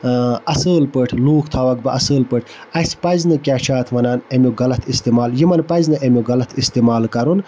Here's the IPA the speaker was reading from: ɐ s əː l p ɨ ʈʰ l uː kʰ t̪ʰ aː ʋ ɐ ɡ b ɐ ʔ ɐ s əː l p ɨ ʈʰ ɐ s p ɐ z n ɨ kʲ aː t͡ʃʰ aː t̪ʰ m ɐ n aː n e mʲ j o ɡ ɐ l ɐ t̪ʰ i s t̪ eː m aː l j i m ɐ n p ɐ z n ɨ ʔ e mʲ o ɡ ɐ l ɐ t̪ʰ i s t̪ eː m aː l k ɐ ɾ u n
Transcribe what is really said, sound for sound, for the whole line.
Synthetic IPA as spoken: ɐ s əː l p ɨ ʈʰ l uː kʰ t̪ʰ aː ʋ ɐ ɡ b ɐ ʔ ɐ s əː l p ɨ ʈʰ ɐ s p ɐ z n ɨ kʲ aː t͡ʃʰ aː t̪ʰ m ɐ n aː n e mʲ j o ɡ ɐ l ɐ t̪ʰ i s t̪ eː m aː l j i m ɐ n p ɐ z n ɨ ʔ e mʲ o ɡ ɐ l ɐ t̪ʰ i s t̪ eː m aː l k ɐ ɾ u n